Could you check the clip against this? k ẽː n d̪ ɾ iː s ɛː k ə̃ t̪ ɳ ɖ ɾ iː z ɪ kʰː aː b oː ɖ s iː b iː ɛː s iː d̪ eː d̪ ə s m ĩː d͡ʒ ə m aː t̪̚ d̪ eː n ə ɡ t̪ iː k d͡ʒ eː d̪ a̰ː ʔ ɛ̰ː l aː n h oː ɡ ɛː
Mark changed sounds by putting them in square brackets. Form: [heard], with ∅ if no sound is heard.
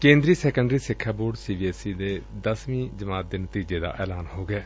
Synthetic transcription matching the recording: k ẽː n d̪ ɾ iː s ɛː k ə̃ [∅] ɳ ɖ ɾ iː [s] ɪ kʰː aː b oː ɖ s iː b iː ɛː s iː d̪ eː d̪ ə s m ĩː d͡ʒ ə m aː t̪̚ d̪ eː n ə [∅] t̪ iː [∅] d͡ʒ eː d̪ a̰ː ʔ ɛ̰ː l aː n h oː ɡ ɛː